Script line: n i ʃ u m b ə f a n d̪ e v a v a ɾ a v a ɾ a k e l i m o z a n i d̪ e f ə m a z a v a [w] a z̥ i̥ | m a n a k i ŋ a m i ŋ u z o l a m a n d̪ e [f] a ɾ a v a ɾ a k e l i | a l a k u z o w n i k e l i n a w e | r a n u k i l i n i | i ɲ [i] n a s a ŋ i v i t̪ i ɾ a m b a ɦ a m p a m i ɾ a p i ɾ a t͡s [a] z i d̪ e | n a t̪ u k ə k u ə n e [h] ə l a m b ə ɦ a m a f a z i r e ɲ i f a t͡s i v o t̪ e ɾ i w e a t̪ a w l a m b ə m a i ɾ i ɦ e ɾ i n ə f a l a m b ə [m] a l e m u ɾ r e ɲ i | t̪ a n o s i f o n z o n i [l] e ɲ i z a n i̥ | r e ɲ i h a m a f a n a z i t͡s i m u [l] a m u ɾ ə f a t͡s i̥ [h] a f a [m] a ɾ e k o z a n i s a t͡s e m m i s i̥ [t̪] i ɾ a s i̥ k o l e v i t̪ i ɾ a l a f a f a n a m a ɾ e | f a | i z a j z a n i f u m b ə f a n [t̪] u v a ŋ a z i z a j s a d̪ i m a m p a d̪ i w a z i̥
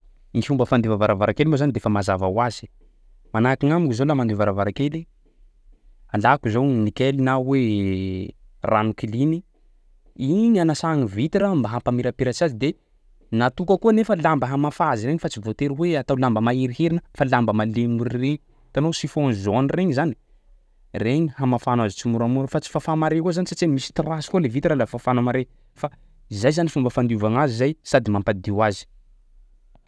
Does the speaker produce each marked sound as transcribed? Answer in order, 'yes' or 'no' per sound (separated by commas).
yes, no, no, yes, no, yes, no, no, no, yes, yes, no